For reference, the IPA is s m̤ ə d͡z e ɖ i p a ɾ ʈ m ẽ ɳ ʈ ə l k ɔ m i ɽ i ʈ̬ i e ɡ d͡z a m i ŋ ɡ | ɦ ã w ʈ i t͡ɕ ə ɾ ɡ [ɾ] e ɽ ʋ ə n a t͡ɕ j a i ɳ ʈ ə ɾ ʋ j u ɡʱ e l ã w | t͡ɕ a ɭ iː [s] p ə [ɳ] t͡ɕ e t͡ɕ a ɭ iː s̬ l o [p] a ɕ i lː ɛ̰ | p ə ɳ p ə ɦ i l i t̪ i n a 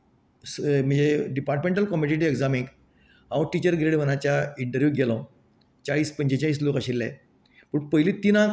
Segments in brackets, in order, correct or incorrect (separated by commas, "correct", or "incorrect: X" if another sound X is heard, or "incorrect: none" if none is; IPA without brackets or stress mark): correct, correct, incorrect: ɲ, incorrect: k